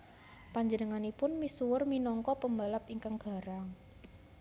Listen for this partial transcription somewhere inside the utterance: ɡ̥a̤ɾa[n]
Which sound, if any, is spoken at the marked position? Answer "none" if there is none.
ŋ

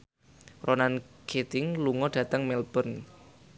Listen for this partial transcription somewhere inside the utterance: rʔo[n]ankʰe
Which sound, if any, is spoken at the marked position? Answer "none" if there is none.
n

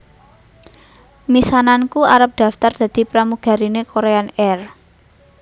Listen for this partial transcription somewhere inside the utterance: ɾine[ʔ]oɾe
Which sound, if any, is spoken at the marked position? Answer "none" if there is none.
k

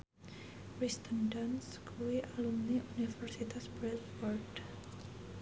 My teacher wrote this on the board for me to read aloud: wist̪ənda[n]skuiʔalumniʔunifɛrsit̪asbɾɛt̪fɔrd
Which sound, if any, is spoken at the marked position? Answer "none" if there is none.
n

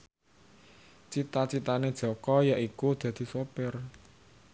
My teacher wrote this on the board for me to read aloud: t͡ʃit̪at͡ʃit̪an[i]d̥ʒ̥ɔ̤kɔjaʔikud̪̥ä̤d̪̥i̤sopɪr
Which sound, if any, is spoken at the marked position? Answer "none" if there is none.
e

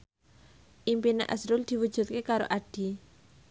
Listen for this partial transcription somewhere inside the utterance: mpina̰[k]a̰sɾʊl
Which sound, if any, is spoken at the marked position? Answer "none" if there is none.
ʔ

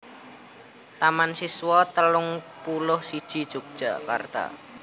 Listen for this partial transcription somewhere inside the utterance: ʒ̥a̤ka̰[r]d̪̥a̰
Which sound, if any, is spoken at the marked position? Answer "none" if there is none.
r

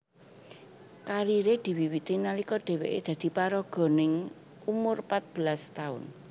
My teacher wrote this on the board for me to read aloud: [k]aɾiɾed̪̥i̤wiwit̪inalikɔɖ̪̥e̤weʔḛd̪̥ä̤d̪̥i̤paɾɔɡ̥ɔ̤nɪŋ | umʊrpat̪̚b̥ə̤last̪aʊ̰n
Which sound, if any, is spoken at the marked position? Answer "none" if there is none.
k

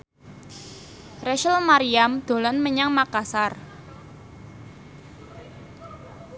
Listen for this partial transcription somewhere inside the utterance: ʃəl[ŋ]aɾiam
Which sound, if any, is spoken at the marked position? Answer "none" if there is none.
m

